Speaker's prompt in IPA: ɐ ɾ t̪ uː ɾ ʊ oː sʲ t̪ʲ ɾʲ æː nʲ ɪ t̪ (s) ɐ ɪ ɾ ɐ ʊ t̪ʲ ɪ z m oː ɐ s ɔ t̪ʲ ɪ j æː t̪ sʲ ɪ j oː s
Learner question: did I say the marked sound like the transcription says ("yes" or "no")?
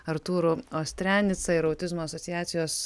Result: yes